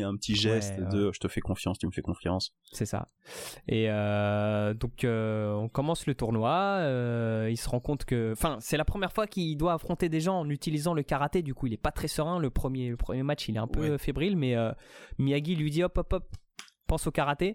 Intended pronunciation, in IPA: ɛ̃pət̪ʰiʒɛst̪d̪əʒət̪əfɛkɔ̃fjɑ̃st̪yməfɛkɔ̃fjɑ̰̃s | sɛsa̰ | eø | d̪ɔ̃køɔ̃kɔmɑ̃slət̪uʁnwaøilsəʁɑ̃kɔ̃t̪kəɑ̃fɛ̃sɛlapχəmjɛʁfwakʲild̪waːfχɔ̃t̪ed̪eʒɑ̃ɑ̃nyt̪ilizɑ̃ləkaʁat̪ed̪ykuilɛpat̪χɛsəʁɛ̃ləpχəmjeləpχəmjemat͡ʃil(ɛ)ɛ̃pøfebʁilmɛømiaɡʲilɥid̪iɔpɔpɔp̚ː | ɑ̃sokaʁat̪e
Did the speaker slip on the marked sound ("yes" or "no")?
no